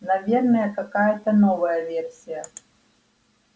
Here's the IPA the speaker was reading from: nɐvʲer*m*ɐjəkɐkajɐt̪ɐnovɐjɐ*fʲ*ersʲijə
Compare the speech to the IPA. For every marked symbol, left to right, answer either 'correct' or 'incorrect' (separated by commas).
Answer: incorrect, incorrect